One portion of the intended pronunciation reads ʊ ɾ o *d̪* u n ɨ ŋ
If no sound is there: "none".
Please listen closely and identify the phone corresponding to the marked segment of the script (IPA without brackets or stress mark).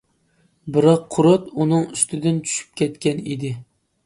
t̪